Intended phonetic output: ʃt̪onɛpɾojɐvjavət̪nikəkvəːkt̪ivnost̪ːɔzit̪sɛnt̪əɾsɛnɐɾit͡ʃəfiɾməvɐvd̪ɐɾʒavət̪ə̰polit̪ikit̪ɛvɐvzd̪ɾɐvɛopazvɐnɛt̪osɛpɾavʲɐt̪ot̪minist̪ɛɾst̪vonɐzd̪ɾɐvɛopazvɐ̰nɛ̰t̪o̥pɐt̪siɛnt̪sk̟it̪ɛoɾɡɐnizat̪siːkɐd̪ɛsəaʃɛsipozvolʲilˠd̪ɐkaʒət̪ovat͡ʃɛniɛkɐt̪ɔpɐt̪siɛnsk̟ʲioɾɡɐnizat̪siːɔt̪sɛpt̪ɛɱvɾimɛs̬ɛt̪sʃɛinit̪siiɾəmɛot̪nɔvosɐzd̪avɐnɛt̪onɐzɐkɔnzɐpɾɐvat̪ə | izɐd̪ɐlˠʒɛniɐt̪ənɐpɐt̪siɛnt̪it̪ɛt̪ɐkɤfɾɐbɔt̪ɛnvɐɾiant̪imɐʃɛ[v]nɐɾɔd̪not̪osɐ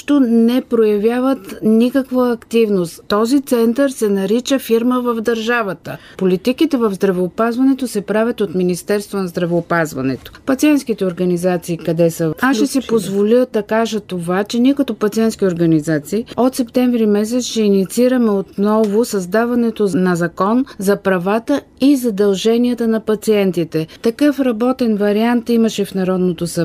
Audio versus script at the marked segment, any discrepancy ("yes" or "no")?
yes